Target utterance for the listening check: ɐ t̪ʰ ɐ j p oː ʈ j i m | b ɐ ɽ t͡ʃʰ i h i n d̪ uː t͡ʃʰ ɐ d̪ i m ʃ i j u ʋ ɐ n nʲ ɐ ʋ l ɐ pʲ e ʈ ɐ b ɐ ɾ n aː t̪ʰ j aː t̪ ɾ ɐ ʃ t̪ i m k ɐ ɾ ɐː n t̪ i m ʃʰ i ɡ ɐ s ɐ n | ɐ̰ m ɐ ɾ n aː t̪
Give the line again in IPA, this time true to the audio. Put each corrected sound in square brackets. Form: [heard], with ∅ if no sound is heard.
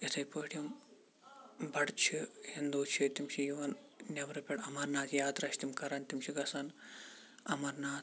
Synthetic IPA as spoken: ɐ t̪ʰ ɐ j p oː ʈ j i m | b ɐ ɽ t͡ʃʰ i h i n d̪ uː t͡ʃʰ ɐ [t̪] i m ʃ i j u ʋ ɐ n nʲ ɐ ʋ [ɾ] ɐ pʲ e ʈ ɐ [m] ɐ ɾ n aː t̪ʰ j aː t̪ ɾ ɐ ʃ t̪ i m k ɐ ɾ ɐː n t̪ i m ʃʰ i ɡ ɐ s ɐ n | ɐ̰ m ɐ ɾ n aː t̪